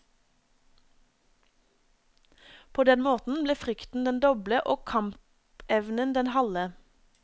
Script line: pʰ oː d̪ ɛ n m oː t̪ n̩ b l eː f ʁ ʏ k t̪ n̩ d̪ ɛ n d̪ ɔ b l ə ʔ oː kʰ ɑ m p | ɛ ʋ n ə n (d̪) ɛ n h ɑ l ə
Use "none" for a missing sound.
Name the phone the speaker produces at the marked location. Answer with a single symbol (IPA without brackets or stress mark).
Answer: d̪